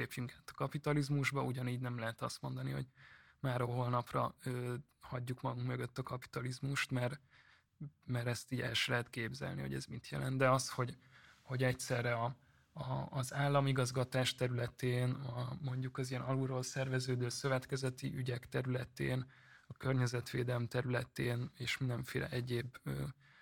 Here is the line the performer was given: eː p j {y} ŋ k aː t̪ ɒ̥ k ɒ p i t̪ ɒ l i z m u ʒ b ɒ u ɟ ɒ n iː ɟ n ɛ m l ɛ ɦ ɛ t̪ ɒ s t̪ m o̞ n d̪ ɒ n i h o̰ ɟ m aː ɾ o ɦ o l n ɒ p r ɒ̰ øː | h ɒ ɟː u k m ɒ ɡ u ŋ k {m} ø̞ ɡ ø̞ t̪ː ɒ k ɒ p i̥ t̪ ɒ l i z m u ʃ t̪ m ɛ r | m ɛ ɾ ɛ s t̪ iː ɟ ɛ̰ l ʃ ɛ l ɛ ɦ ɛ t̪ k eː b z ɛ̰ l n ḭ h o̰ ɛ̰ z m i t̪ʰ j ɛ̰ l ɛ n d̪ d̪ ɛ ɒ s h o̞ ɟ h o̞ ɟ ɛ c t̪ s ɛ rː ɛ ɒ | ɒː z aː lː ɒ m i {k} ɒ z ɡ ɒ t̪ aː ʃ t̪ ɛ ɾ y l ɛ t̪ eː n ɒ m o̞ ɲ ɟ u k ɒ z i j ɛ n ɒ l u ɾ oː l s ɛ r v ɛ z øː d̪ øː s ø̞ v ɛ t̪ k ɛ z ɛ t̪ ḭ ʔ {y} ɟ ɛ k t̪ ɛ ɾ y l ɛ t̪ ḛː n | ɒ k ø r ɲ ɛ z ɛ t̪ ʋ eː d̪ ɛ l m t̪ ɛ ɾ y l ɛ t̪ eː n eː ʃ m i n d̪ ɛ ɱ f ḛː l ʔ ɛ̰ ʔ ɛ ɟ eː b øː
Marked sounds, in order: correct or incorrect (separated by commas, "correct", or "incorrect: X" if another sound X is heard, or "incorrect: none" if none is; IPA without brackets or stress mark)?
correct, correct, incorrect: ɡ, correct